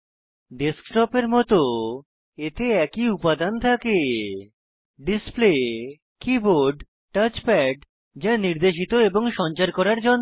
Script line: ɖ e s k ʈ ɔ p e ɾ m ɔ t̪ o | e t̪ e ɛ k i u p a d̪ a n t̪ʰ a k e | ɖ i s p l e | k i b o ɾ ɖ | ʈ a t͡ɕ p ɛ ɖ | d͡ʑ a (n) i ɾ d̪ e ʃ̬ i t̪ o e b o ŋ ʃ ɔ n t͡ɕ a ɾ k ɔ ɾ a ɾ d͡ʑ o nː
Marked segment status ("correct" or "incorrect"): correct